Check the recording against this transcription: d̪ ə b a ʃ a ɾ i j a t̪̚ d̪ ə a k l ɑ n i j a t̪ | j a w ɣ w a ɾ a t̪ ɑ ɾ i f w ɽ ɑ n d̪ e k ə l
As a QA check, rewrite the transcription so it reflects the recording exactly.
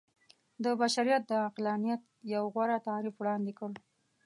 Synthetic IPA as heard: d̪ ə b a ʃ a ɾ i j a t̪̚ d̪ ə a q l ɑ n i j a t̪ | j a w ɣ w a ɾ a t̪ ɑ ɾ i f w ɽ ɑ n d̪ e k ə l